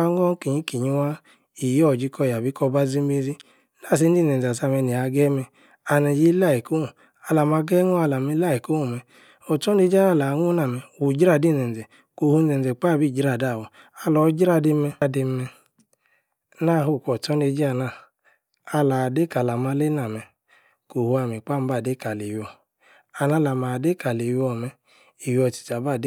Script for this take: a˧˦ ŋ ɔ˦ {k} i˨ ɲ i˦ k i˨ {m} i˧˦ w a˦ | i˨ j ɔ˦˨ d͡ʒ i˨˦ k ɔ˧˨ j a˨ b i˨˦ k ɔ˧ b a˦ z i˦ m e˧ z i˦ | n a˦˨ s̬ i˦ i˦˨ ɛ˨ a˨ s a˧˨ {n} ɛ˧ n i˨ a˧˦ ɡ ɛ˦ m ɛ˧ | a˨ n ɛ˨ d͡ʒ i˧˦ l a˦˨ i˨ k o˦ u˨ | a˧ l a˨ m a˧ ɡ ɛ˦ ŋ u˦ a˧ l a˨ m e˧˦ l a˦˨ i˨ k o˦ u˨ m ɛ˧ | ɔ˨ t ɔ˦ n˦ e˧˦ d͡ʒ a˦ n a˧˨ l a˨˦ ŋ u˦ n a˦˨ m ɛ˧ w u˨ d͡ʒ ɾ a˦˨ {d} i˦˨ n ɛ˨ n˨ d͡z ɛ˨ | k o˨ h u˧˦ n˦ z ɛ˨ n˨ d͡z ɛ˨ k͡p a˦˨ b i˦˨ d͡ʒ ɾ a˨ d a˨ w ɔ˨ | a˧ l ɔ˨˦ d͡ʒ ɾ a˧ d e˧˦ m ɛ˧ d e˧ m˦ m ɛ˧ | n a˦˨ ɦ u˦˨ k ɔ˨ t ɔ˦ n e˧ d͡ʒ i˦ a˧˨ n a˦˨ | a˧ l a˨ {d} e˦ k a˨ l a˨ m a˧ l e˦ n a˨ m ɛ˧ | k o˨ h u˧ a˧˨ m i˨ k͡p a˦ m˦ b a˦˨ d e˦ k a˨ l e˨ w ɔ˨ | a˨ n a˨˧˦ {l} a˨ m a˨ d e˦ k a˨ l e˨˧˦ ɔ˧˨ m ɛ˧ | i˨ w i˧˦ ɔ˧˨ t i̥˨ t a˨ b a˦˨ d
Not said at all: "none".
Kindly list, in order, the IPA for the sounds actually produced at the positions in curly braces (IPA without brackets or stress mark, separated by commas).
k, ɲ, m, d, d, l